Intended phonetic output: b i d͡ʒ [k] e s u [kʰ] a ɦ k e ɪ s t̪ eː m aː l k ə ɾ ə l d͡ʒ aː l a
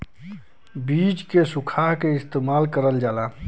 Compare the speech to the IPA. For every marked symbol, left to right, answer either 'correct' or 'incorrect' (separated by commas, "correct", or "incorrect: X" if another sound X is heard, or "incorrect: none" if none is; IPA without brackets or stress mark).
correct, correct